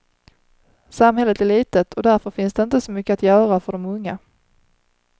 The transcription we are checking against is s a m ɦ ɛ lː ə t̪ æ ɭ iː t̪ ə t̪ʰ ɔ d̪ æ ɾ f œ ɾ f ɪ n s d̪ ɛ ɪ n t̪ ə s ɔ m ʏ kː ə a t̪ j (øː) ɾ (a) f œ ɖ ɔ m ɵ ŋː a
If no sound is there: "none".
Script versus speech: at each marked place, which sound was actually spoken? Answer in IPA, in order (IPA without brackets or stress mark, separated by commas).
œː, a